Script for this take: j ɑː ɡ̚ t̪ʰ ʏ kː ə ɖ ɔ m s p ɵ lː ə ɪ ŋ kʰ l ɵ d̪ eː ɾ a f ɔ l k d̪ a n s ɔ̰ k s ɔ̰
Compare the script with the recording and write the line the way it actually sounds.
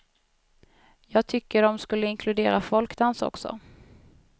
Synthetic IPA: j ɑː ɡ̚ t̪ʰ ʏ kː ə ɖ ɔ m s k ɵ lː ə ɪ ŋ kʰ l ɵ d̪ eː ɾ a f ɔ l k d̪ a n s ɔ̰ k s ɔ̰